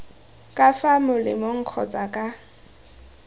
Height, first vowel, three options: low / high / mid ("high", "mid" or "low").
low